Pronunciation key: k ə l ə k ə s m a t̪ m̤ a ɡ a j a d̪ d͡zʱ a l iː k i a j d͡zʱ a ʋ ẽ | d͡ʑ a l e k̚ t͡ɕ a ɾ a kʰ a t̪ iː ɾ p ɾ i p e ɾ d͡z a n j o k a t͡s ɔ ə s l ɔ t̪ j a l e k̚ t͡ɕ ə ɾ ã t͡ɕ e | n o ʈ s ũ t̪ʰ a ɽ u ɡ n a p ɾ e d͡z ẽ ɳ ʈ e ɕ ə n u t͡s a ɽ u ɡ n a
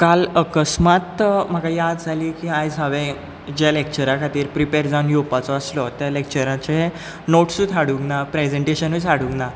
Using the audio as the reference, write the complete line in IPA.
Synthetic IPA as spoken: k a l ə k ə s m a t̪ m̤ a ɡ a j a d̪ d͡zʱ a l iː k i a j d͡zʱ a ʋ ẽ | d͡ʑ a l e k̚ t͡ɕ ə ɾ a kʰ a t̪ iː ɾ p ɾ i p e ɾ d͡z a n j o p a t͡s ɔ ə s l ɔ t̪ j a l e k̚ t͡ɕ ə ɾ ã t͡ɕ e | n o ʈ s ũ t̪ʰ a ɽ u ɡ n a p ɾ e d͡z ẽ ɳ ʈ e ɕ ə n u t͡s a ɽ u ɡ n a